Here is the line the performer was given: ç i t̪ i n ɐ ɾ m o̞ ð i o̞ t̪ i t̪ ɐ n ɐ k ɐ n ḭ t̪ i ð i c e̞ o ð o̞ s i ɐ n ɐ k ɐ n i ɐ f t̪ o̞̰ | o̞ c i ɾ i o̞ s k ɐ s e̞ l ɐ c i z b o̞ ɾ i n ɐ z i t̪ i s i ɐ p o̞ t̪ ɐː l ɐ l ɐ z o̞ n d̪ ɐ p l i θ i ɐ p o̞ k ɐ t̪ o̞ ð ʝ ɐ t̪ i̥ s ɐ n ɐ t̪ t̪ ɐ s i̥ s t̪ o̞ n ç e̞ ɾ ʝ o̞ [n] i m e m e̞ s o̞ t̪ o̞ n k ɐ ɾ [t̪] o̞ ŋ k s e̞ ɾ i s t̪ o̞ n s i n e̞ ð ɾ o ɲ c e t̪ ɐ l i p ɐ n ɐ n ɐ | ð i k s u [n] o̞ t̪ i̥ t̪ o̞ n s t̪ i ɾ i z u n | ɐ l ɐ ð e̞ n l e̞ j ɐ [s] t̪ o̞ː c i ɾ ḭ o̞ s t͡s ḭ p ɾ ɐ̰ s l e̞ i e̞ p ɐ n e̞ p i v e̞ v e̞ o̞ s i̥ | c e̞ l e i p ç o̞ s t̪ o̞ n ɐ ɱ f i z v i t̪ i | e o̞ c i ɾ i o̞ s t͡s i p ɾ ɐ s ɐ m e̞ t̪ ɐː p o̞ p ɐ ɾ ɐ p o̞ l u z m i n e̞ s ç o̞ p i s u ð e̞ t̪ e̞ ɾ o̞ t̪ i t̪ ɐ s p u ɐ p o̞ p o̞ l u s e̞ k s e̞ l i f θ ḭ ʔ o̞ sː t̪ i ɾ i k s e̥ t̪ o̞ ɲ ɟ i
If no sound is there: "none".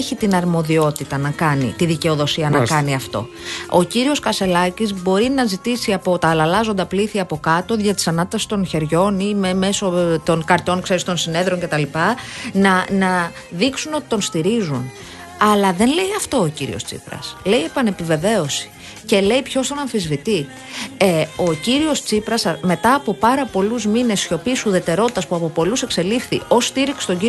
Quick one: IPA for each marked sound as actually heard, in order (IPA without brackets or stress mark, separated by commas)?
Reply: n, t̪, n, f